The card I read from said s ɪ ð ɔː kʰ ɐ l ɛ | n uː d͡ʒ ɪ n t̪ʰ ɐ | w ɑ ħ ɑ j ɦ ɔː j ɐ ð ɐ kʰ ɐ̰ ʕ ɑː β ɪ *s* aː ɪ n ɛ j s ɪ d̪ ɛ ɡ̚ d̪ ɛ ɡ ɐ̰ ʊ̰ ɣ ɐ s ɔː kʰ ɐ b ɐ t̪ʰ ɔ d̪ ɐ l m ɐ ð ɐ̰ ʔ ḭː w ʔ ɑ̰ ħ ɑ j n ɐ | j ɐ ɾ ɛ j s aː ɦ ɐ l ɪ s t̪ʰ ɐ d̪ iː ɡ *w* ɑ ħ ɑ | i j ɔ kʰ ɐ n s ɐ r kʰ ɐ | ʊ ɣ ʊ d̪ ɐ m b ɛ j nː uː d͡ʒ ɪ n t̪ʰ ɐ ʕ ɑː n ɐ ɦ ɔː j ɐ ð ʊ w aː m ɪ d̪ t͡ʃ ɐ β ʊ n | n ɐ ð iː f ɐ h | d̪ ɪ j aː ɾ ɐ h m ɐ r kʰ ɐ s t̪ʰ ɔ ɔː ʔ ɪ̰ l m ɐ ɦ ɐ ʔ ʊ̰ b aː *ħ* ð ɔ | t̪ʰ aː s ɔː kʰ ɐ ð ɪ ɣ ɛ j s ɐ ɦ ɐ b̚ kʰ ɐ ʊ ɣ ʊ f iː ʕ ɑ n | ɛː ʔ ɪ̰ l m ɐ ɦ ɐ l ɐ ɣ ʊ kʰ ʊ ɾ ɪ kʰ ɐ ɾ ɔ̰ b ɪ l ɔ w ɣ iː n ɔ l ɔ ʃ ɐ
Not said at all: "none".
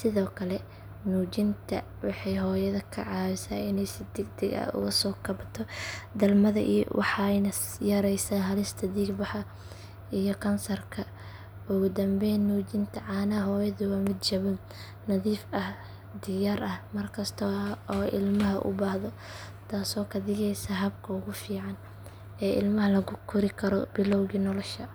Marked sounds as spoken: s, b, h

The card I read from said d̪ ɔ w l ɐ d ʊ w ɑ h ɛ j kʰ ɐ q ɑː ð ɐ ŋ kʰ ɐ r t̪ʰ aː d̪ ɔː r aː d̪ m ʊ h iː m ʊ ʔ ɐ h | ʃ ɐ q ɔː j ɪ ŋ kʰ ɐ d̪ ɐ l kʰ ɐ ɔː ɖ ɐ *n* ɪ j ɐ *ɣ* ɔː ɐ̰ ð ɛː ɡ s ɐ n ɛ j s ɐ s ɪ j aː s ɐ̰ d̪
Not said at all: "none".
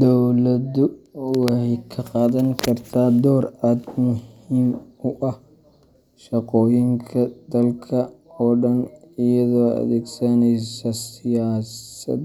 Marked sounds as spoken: n, ð

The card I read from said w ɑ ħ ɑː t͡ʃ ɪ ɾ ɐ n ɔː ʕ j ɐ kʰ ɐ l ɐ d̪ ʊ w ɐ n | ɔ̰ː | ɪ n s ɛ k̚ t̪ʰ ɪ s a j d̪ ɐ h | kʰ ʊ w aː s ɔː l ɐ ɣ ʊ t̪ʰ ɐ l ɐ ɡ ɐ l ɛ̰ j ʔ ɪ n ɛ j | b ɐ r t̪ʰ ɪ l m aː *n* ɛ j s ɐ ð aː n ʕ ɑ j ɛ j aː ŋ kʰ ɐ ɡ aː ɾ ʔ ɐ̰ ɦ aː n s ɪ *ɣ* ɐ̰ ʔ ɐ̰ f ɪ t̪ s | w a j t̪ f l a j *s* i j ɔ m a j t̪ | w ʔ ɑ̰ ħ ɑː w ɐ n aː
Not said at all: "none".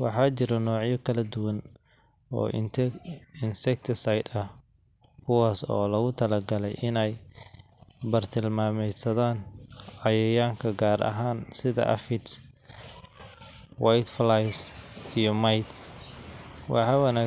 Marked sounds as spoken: m, ð, s

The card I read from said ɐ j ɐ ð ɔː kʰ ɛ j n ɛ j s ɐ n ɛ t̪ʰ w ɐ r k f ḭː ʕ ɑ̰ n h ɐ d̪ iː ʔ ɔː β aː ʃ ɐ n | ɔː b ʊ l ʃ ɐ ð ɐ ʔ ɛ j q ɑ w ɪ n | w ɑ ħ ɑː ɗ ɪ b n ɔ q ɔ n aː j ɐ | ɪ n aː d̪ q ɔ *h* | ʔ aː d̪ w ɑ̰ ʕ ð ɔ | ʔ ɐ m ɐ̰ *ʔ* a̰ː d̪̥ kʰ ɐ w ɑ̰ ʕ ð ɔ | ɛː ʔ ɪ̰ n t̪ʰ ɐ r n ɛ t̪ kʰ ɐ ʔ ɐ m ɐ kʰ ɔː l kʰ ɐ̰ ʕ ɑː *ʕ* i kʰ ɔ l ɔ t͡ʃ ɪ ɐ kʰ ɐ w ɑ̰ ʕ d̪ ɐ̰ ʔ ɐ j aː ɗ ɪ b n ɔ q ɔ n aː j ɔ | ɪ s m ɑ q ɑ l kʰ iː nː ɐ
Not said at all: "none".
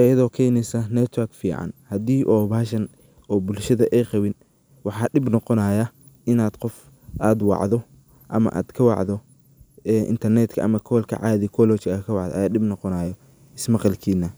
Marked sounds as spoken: f, ʔ, ð

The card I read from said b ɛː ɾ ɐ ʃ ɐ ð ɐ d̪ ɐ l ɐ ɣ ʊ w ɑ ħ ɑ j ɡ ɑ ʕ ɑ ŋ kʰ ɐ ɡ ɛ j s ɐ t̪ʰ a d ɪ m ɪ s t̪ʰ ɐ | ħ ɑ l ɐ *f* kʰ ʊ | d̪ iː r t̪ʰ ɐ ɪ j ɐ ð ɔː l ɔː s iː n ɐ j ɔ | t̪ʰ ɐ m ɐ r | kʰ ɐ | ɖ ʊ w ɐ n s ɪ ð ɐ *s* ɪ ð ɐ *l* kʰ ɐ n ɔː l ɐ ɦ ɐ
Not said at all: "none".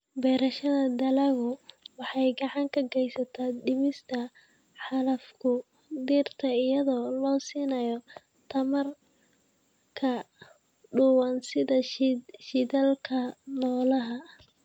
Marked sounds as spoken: f, ʃ, l

